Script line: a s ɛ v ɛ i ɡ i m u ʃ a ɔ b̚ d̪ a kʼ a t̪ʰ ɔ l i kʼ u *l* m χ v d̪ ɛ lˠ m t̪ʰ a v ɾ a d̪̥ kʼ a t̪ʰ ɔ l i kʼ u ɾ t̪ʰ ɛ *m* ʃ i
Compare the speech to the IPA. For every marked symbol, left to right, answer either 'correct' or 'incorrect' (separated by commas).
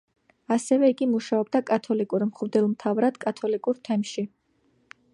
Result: incorrect, correct